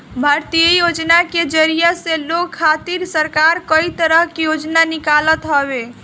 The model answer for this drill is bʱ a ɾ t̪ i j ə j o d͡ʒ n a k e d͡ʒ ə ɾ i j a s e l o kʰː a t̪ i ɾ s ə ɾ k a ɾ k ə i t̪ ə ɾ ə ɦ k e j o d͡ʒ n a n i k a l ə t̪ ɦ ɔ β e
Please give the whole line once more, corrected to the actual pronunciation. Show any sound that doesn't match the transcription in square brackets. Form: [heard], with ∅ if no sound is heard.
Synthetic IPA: bʱ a ɾ t̪ i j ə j o d͡ʒ n a k e d͡ʒ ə ɾ i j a s e l o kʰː a t̪ i ɾ s ə ɾ k a ɾ k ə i t̪ ə ɾ ə ɦ k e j o d͡ʒ n a n i k a l ə t̪ ɦ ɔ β e